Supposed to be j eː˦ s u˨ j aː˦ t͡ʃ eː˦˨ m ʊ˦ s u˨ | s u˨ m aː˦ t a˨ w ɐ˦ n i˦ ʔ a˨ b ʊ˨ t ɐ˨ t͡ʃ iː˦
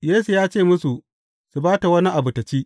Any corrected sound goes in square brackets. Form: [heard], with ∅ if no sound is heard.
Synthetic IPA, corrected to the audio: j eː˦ s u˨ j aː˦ t͡ʃ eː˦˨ m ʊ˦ s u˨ | s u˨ [b] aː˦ t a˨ w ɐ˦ n i˦ ʔ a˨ b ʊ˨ t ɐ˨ t͡ʃ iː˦